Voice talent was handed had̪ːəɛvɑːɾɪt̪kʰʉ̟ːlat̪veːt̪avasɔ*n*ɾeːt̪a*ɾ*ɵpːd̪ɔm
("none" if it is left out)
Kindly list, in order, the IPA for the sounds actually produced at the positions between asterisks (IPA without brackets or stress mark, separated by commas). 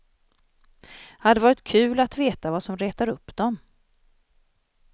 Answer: m, ɾ